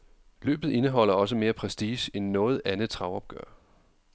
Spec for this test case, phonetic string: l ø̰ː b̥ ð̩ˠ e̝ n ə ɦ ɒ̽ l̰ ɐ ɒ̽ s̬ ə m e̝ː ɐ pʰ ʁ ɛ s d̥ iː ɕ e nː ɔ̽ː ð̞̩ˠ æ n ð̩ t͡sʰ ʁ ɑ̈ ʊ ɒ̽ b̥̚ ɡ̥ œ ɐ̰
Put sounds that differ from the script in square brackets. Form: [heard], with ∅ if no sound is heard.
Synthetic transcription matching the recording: l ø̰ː b̥ ð̩ˠ e̝ n ə ɦ ɒ̽ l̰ ɐ ɒ̽ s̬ ə m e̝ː ɐ pʰ ʁ ɛ s d̥ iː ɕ e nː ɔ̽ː ð̞̩ˠ æ n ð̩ t͡sʰ ʁ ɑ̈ ʊ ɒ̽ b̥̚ ɡ̥ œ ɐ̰